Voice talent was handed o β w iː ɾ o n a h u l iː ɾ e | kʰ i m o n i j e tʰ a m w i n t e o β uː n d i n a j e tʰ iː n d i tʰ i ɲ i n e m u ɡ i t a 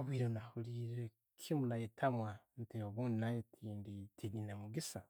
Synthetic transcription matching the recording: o β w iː ɾ o n a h u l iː ɾ e | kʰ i m u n a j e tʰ a m w a n t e o β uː n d i n a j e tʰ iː n d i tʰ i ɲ i n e m u ɡ i s a